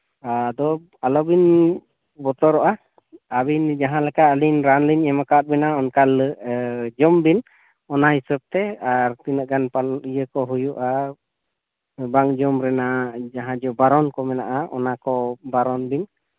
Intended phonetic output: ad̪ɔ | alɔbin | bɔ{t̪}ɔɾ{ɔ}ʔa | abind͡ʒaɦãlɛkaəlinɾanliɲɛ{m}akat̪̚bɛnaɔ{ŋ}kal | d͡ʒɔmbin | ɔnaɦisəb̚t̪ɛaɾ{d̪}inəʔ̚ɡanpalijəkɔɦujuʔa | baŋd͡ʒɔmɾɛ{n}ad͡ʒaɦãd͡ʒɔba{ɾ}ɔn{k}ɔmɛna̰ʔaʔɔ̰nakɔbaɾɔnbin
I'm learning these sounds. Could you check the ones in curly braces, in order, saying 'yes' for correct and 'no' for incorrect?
yes, yes, yes, no, no, yes, yes, yes

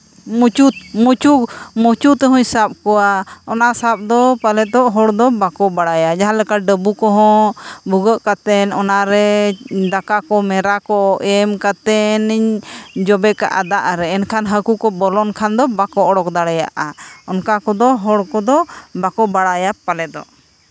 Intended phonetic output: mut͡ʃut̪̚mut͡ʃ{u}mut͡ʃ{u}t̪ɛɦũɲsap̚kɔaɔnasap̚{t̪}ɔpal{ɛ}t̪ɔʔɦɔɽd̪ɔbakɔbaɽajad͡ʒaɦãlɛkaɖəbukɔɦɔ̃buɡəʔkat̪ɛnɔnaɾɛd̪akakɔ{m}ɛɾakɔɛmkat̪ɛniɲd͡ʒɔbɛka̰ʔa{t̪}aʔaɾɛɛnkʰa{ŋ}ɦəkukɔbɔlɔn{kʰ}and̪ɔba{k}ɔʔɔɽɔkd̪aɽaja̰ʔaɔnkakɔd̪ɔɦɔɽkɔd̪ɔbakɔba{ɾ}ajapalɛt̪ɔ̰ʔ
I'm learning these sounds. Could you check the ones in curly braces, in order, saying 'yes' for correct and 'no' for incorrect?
yes, yes, no, yes, yes, no, no, yes, yes, no

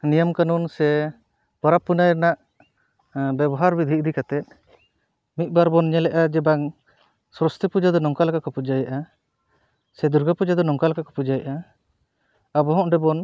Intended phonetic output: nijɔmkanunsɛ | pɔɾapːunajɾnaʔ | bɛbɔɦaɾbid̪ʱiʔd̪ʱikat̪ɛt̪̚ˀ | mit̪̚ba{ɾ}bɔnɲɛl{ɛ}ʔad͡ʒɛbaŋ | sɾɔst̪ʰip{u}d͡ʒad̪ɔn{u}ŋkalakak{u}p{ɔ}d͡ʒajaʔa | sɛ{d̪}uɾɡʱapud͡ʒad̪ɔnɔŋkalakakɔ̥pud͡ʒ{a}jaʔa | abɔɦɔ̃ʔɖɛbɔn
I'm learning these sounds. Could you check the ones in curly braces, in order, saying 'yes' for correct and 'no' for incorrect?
yes, yes, yes, no, no, no, yes, yes

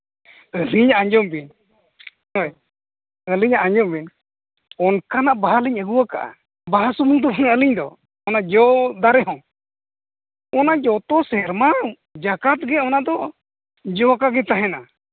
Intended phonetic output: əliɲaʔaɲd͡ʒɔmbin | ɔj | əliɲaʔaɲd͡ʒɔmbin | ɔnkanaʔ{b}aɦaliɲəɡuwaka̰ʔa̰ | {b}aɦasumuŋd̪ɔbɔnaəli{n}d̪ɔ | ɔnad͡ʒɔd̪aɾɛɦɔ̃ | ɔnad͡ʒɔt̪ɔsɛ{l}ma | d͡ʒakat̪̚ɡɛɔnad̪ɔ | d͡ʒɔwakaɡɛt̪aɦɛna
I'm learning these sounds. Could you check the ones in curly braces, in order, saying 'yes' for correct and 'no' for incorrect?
yes, yes, no, no

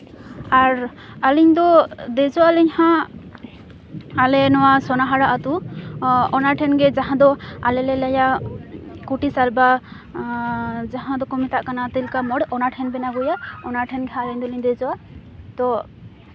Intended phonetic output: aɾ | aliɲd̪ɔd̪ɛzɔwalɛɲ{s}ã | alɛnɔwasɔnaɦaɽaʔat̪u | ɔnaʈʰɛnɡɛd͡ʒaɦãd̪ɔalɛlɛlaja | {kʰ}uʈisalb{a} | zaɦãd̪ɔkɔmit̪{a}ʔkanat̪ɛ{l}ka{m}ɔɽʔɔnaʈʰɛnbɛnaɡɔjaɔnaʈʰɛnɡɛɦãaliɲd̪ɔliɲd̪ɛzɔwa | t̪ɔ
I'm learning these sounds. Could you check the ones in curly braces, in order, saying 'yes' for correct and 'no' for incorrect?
no, no, yes, yes, yes, yes

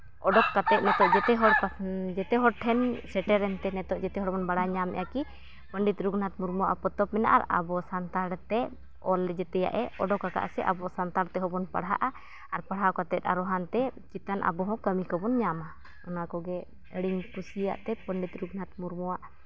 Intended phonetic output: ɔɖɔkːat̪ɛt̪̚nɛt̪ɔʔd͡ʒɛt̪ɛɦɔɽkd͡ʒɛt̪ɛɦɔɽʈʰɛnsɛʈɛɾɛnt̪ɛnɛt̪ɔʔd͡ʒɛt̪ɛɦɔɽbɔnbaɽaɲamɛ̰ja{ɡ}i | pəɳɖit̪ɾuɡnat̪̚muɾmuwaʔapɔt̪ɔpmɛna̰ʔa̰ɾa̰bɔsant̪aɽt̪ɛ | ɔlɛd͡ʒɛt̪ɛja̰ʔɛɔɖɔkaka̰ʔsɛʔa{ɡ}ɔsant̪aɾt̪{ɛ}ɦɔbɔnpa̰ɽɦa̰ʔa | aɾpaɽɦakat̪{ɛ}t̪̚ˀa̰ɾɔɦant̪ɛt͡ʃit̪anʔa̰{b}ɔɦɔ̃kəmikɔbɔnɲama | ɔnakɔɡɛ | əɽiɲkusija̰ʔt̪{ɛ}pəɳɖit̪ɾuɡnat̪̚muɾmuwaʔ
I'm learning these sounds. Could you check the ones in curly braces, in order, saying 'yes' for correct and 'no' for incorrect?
no, no, yes, yes, yes, yes

